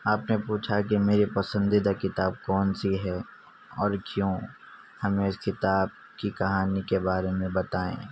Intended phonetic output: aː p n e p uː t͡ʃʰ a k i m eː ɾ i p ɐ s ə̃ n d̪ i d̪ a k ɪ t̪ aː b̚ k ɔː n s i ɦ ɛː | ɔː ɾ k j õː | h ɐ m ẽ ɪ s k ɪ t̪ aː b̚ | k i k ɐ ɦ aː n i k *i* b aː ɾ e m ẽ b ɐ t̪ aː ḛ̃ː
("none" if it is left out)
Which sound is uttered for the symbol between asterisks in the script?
e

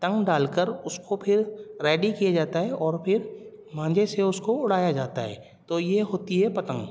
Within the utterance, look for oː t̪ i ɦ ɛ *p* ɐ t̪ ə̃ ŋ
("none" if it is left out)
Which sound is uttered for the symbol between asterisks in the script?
p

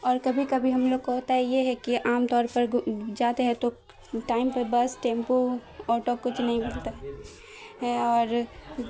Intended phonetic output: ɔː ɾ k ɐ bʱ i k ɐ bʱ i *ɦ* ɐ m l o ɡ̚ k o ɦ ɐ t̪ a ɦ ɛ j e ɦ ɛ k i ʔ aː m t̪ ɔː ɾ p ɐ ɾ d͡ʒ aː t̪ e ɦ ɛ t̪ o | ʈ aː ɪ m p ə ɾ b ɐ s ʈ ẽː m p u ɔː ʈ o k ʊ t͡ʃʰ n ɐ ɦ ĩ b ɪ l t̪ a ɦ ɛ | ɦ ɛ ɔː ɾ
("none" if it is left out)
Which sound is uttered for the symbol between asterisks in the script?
ɦ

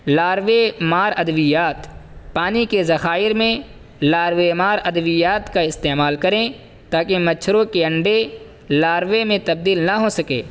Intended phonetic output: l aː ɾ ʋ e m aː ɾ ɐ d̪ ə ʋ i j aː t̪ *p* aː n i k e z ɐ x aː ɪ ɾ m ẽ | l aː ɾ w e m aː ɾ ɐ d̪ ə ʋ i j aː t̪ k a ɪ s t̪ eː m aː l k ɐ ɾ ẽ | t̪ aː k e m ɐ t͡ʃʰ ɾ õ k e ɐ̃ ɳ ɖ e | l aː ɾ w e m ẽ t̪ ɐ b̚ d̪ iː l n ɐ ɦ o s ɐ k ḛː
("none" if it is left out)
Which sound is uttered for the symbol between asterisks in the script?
p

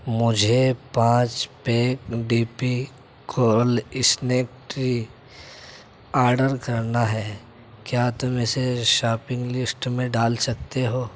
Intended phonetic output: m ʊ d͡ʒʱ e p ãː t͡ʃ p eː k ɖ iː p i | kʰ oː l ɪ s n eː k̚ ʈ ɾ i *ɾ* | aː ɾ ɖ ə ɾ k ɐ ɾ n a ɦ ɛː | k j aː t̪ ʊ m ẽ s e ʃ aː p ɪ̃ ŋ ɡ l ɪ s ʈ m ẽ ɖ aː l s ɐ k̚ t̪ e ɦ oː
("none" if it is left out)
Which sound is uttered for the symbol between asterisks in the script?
none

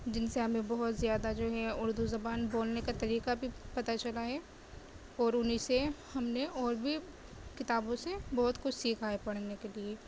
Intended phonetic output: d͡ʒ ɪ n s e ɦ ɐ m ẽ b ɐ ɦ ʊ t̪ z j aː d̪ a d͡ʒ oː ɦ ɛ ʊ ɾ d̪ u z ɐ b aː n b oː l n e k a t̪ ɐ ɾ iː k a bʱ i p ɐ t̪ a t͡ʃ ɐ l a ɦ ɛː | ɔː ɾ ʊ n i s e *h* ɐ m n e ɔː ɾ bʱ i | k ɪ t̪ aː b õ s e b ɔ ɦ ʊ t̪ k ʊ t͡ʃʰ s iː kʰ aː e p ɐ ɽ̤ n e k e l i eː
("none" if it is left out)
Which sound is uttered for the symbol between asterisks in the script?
h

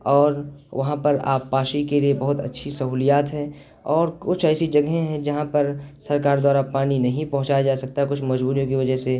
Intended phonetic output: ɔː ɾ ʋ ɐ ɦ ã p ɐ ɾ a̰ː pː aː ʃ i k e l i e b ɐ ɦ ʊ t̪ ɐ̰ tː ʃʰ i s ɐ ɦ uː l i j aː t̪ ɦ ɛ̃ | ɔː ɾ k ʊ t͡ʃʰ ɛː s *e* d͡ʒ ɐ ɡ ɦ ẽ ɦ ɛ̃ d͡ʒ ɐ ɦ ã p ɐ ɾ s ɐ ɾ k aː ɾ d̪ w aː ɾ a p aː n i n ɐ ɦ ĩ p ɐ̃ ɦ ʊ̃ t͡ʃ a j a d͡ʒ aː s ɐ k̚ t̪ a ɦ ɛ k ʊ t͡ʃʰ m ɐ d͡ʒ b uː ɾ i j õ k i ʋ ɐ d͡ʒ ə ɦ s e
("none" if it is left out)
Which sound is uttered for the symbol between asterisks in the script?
i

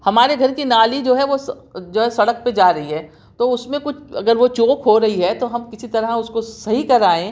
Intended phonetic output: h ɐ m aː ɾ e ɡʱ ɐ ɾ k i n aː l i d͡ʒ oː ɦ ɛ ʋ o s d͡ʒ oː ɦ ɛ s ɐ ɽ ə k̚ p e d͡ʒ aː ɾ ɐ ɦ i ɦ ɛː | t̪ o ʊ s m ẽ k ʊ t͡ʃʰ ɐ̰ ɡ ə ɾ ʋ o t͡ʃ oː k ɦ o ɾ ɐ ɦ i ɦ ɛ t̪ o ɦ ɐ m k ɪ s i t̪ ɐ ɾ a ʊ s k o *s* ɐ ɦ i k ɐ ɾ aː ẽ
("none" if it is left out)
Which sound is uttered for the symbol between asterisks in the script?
s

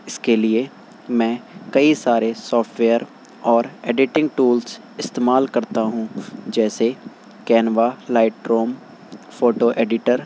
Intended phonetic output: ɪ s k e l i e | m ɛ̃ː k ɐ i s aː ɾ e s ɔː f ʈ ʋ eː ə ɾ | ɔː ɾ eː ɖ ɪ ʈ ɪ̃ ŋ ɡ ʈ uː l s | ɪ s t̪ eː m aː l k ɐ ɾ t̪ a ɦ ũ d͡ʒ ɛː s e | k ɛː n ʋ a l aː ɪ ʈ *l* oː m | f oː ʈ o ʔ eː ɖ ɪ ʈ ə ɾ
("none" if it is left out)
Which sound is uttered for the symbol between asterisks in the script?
ɾ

